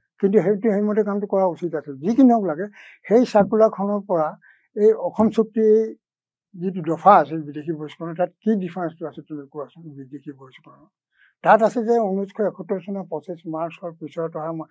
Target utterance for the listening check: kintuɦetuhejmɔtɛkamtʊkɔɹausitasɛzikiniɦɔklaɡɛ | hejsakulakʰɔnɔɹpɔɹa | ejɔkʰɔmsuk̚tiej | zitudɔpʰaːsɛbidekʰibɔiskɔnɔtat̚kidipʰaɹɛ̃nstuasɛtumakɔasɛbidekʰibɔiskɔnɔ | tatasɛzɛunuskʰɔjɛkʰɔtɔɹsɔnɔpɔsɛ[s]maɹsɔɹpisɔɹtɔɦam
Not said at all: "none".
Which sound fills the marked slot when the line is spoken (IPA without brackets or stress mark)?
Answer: s